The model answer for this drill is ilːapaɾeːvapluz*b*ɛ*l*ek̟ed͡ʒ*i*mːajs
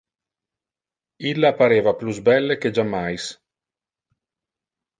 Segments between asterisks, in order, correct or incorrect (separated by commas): correct, incorrect, incorrect